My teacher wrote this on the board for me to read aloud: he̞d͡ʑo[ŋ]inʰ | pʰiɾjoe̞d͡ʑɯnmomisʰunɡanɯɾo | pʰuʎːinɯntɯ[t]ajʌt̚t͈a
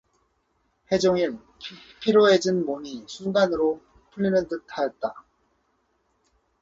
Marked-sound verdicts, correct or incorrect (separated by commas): correct, incorrect